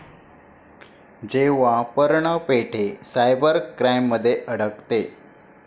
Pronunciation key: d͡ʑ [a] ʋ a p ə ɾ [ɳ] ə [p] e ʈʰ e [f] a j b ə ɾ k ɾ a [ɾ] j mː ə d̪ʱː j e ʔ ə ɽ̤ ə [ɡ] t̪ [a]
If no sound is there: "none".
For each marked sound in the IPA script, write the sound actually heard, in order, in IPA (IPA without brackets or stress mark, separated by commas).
e, ɳ, p, s, none, k, e